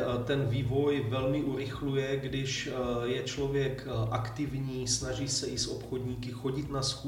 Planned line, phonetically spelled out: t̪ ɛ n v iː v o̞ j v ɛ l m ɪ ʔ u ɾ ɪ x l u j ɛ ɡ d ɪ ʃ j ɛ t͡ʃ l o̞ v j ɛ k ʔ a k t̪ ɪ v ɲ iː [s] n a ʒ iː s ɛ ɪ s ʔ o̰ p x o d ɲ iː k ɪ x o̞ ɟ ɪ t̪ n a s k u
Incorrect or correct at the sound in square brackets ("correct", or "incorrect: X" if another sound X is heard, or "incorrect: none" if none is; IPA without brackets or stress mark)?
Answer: correct